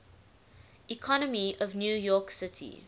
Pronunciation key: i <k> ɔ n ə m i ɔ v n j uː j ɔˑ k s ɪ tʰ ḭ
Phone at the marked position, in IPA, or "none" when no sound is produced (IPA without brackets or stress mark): kʰ